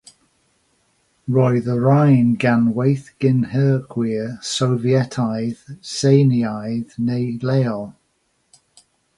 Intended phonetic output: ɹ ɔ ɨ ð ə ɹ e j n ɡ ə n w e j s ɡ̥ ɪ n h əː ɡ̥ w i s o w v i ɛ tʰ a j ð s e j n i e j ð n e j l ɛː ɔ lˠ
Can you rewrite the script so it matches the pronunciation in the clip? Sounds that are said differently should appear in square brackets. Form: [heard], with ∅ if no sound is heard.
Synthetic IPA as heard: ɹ ɔ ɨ ð ə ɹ [a] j n ɡ [a] n w e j [θ] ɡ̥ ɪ n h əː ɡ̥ w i s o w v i ɛ tʰ a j ð s e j n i [a] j ð n e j l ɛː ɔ lˠ